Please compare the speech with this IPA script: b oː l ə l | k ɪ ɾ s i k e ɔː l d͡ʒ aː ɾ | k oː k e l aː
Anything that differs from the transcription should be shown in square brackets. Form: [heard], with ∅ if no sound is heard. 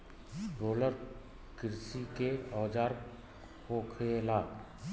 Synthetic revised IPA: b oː l ə [ɾ] | k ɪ ɾ s i k e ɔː [∅] d͡ʒ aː ɾ | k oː [kʰ] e l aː